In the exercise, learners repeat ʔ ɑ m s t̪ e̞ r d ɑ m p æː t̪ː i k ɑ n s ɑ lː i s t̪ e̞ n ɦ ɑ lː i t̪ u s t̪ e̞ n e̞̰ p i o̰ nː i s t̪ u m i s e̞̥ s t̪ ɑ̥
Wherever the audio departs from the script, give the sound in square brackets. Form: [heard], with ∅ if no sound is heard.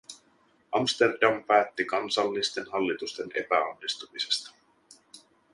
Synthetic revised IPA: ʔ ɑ m s t̪ e̞ r d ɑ m p æː t̪ː i k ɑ n s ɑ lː i s t̪ e̞ n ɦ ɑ lː i t̪ u s t̪ e̞ n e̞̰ p [æ] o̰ nː i s t̪ u m i s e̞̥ s t̪ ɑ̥